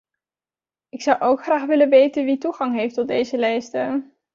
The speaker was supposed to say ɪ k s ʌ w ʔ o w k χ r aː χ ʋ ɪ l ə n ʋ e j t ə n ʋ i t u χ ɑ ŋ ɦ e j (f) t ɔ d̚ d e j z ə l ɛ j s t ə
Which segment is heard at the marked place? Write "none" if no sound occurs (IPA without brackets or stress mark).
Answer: f